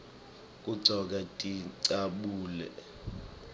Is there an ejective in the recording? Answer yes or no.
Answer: yes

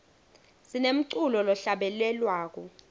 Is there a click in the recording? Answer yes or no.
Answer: yes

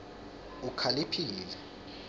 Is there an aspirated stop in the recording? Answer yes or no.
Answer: yes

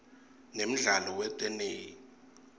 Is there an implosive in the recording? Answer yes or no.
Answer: no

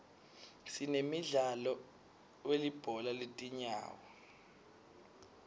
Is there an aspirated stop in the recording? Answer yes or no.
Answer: no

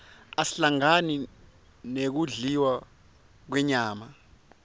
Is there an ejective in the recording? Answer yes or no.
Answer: no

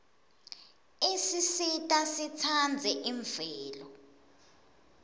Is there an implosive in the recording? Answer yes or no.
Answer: no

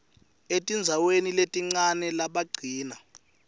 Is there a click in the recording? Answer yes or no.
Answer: yes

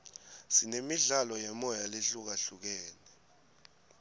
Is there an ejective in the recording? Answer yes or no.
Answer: no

